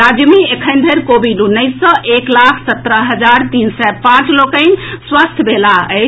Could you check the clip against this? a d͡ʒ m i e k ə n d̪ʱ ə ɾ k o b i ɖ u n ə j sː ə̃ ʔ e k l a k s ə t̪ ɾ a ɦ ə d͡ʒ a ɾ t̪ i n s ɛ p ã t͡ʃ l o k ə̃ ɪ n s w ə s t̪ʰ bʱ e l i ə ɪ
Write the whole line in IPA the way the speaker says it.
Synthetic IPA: a d͡ʒ m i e kʰ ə n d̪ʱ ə ɾ k o b i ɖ u n ə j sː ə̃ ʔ e k l a kʰ s ə t̪ ɾ ə ɦ ə d͡ʒ a ɾ t̪ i n s ɛ p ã t͡ʃ l o k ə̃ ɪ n s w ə s t̪ʰ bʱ e l a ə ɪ

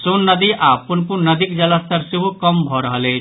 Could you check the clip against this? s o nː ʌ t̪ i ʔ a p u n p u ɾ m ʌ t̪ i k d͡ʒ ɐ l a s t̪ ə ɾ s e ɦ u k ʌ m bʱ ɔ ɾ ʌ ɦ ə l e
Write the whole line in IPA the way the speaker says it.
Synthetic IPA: s o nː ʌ d̪ i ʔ a p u n p u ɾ n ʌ d̪ i k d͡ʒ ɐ l a s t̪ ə ɾ s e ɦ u k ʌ m bʱ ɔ ɾ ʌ ɦ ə l e

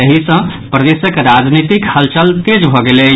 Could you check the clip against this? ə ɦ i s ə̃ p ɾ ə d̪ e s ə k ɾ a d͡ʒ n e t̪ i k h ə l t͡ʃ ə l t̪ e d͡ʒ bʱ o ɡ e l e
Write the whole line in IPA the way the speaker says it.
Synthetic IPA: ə ɦ i s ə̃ p ɾ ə d̪ e s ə k ɾ a d͡ʒ n i t̪ i k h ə l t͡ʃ ə l t̪ e d͡ʒ bʱ ɔ ɡ e l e

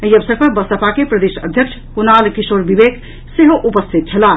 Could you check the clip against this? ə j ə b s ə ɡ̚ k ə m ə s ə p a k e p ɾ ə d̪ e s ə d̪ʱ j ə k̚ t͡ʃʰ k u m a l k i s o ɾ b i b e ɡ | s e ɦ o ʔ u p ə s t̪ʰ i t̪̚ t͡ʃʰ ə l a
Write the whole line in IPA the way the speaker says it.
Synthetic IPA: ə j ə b s ə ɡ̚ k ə b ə s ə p a k e p ɾ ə d̪ e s ə d̪ʱ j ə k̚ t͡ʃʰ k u n a l k i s o ɾ b i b e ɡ | s e ɦ o ʔ u p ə s t̪ʰ i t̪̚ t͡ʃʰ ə l a

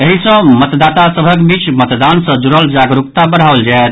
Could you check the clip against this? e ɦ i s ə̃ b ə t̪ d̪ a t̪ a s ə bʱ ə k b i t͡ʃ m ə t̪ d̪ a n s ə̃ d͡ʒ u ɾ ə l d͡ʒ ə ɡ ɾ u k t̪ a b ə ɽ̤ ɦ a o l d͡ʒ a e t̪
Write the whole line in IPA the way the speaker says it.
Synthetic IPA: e ɦ i s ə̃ m ə t̪ d̪ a t̪ a s ə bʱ ə k b i t͡ʃ m ə t̪ d̪ a n s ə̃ d͡ʒ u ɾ ə l d͡ʒ a ɡ ɾ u k t̪ a b ə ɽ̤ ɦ a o l d͡ʒ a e t̪

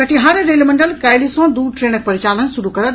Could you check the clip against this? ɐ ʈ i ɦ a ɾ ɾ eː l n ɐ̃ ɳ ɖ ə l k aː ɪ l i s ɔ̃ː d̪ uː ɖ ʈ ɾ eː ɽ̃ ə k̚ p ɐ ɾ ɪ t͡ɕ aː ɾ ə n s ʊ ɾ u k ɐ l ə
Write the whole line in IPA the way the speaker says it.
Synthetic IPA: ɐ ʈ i ɦ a ɾ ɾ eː l m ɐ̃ ɳ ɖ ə l k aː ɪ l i s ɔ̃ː d̪ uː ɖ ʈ ɾ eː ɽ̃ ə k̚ p ɐ ɾ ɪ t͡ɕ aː l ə n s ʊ ɾ u k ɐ ɾ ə

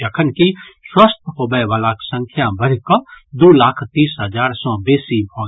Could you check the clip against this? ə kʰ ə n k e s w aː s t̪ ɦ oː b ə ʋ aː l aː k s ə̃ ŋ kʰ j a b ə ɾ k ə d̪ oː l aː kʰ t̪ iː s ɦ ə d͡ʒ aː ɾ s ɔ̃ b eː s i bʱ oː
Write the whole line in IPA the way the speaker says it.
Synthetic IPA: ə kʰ ə n k i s w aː s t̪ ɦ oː b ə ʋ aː l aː k s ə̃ ŋ kʰ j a b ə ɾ k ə d̪ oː l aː kʰ t̪ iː s ɦ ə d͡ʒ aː ɾ s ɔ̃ b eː s i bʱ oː

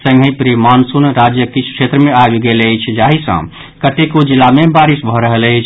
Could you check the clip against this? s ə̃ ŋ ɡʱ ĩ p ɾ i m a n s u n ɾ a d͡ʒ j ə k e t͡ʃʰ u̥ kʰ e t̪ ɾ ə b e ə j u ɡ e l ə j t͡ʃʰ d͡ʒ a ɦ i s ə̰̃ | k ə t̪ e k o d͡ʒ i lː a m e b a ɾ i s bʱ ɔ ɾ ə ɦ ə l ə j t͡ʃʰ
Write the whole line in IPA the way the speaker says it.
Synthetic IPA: s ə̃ ŋ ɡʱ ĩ p ɾ i m a n s u n ɾ a d͡ʒ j ə k i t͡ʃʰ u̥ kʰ e t̪ ɾ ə m e a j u ɡ e l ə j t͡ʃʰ d͡ʒ a ɦ i s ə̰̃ | k ə t̪ e k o d͡ʒ i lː a m e b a ɾ i s bʱ ɔ ɾ ə ɦ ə l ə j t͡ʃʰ

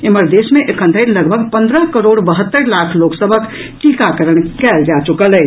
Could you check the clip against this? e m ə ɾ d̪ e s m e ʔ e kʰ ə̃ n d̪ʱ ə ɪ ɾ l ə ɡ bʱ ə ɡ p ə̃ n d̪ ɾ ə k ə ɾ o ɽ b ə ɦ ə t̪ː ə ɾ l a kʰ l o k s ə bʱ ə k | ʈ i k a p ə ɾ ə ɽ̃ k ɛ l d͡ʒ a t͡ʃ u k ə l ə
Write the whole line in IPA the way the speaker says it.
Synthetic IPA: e m ə ɾ d̪ e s m e ʔ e kʰ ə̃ n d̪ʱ ə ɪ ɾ l ə ɡ bʱ ə ɡ p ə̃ n d̪ ɾ ə k ə ɾ o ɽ b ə ɦ ə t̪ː ə ɾ l a kʰ l o k s ə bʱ ə k | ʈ i k a k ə ɾ ə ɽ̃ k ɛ l d͡ʒ a t͡ʃ u k ə l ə

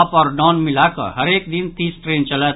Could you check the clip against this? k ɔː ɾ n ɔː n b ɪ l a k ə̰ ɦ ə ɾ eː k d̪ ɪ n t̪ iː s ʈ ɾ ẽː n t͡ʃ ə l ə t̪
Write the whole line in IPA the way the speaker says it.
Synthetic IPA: p ɔː ɾ n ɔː n m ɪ l a k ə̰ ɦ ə ɾ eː k d̪ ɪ n t̪ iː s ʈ ɾ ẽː n t͡ʃ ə l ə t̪

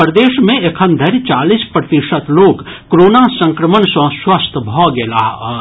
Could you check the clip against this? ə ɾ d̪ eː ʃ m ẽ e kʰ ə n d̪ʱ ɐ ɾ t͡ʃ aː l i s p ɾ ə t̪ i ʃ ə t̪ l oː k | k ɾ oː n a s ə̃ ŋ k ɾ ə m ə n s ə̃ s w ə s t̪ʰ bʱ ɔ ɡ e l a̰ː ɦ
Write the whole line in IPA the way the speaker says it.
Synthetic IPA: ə ɾ d̪ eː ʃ m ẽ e kʰ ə n d̪ʱ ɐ ɾ t͡ʃ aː l i s p ɾ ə t̪ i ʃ ə t̪ l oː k | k ɾ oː n a s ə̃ ŋ k ɾ ə m ə n s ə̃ s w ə s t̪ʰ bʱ ɔ ɡ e l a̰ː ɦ

